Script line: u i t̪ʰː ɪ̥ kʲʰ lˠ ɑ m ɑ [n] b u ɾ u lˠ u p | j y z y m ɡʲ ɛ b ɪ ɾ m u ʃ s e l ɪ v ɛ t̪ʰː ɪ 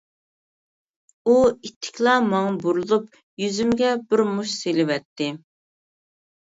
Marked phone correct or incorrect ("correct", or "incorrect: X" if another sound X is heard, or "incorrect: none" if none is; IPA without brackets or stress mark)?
incorrect: ŋ